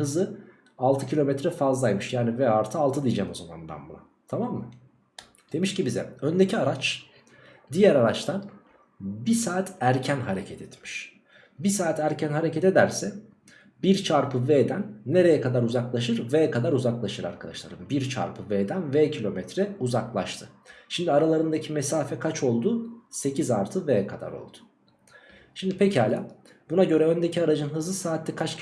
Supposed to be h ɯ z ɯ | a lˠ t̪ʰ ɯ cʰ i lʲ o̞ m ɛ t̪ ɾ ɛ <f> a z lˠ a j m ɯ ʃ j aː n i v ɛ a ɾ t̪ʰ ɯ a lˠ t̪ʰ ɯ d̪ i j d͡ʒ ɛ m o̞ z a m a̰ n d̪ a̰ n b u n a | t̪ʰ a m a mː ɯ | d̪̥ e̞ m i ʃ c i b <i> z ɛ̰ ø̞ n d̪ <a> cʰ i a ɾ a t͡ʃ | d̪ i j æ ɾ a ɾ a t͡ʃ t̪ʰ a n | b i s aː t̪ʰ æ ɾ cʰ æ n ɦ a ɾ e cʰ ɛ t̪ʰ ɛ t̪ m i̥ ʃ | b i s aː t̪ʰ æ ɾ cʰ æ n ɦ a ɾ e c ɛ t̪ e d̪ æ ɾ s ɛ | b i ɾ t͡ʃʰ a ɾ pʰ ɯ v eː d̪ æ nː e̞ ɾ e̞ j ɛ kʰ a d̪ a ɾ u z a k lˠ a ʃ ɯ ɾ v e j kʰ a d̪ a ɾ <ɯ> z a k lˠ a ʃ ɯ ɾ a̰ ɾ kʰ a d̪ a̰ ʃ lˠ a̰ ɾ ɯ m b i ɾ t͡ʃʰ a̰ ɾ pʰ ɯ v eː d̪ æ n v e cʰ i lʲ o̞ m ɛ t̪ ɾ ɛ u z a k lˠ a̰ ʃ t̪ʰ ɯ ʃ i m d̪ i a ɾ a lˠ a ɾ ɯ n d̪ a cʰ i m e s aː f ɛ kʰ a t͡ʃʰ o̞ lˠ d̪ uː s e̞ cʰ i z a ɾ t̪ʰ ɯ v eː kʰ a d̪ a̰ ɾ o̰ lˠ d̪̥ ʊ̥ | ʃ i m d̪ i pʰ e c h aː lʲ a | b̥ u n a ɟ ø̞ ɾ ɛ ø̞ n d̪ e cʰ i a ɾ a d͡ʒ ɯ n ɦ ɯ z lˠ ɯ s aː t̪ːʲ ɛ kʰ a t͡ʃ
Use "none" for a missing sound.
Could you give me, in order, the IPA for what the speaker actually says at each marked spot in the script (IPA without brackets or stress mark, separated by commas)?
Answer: f, i, e, u